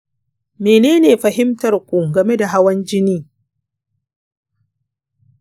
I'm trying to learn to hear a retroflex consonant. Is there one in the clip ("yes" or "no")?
no